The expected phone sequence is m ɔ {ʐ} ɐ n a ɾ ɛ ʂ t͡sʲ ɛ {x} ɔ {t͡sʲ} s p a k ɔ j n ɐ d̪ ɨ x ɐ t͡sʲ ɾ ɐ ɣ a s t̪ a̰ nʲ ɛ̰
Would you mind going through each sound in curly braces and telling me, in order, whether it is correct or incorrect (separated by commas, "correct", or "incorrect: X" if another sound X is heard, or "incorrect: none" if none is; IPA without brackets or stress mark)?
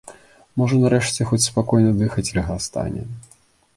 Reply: correct, correct, correct